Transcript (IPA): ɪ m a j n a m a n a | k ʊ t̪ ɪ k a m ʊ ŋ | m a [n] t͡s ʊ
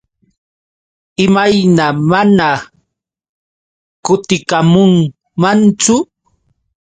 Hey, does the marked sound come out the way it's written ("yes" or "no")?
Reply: yes